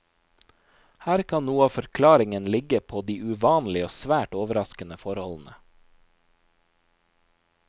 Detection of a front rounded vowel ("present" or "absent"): absent